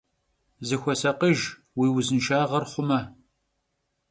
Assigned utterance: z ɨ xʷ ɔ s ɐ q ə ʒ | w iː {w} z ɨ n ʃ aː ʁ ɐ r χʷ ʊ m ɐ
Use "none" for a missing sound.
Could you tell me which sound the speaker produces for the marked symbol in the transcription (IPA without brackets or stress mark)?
w